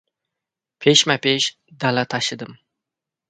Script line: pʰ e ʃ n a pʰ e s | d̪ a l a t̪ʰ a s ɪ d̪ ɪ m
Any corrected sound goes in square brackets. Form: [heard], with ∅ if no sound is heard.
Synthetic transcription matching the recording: pʰ e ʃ [m] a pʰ e [ʃ] | d̪ a l a t̪ʰ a [ʃ] ɪ d̪ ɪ m